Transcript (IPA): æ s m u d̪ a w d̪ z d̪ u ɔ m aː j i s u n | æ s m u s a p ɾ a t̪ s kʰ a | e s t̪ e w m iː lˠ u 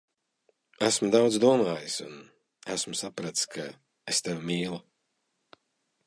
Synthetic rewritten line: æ s m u d̪ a w d̪ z d̪ u ɔ m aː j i s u n | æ s m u s a p ɾ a t̪ s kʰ a | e s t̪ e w m iː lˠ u